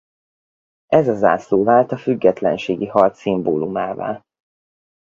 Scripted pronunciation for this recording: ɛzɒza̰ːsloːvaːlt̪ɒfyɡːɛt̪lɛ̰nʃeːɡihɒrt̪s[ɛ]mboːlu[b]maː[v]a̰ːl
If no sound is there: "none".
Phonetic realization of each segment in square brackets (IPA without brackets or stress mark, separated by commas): i, none, v